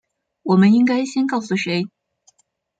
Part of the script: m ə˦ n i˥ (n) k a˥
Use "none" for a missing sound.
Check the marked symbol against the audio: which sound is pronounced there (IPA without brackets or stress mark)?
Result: ŋ